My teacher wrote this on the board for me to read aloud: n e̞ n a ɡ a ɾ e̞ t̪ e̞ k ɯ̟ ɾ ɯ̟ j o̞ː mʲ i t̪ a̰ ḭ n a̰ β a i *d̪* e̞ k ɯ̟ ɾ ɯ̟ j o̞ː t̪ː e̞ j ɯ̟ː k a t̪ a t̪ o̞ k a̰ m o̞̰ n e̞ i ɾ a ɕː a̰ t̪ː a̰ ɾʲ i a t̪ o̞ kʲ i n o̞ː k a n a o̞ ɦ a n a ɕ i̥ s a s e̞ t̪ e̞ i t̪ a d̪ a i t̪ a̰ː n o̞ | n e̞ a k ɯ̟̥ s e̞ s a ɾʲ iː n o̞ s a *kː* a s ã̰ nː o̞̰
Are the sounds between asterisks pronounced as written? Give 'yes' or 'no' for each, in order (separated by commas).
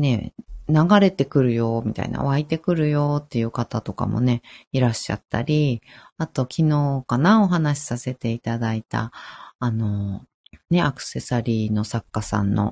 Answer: no, yes